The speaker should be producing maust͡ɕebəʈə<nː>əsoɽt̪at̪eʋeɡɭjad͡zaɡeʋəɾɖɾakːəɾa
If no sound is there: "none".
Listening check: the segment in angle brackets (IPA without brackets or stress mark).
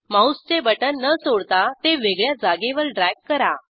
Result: nː